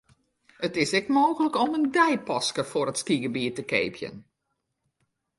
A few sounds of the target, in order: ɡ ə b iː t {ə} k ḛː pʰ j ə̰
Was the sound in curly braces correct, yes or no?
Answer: yes